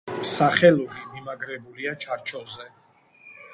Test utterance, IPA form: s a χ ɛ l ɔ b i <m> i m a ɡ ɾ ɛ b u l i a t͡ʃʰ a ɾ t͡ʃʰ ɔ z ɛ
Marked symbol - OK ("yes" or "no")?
yes